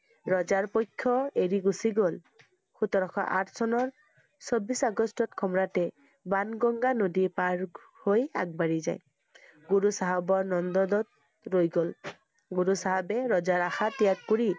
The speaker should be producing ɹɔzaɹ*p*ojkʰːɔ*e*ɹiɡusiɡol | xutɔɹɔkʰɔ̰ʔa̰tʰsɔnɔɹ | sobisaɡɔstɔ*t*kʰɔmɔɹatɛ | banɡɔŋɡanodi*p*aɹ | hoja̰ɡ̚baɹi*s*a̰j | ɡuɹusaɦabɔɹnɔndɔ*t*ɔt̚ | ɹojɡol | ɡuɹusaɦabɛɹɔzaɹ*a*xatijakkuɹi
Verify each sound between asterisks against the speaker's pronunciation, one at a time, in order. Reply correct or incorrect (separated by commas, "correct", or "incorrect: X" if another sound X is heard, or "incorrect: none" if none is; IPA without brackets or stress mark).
correct, correct, correct, correct, incorrect: z, incorrect: d, correct